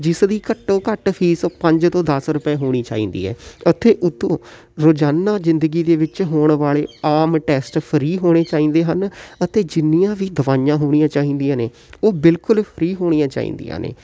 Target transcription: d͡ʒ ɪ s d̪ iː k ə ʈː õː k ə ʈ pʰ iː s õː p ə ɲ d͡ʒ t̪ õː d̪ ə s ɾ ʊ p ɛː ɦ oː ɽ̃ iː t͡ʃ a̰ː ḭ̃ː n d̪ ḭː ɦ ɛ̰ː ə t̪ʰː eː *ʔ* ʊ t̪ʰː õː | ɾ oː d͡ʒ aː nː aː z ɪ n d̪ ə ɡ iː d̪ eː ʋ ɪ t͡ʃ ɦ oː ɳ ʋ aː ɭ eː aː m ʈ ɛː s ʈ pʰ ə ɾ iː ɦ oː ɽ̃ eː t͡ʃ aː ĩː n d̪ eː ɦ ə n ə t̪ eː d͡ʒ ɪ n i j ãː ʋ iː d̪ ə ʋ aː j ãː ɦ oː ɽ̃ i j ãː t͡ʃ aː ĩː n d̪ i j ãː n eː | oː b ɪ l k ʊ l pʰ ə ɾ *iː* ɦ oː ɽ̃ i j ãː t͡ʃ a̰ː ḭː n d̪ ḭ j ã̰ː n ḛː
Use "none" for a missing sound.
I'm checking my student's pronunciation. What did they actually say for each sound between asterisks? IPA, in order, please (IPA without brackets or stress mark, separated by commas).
ʔ, iː